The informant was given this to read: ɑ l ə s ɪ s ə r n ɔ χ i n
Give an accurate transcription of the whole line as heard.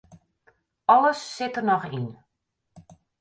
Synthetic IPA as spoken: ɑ l ə sː ɪ t ə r n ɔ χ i n